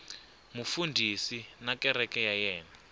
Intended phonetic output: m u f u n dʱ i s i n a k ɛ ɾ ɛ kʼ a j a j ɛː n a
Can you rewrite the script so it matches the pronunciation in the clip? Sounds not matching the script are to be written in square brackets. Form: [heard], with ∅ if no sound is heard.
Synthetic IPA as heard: m u f u n dʱ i s i n a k ɛ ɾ ɛ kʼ [ɛ] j a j ɛː n a